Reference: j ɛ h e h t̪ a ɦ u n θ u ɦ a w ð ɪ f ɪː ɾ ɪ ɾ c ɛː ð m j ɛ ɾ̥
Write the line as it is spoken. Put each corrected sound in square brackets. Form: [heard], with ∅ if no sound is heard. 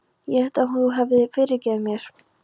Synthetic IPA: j ɛ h [ɛ] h t̪ a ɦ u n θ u ɦ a [v] ð ɪ f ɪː ɾ ɪ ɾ c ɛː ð m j ɛ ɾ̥